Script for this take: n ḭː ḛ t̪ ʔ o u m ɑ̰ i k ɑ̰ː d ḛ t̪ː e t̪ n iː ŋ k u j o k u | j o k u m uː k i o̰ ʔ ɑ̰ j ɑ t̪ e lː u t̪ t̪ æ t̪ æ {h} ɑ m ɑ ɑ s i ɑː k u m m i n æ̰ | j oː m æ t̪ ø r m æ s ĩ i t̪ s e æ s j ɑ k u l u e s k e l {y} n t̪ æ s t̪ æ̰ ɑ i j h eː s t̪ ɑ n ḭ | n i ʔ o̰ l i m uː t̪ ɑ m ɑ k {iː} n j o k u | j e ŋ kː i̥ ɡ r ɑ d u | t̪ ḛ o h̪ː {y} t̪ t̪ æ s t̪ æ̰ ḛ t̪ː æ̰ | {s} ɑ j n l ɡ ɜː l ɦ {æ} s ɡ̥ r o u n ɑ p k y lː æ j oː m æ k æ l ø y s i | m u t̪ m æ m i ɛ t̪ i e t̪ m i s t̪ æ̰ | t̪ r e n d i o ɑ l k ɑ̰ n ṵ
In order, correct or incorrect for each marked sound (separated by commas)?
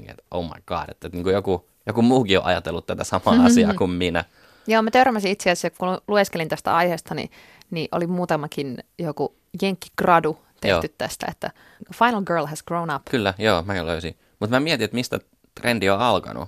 incorrect, incorrect, incorrect, correct, incorrect, correct